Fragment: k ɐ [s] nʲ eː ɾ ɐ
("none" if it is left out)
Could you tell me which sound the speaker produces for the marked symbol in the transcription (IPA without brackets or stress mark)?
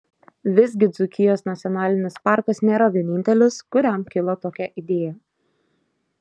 s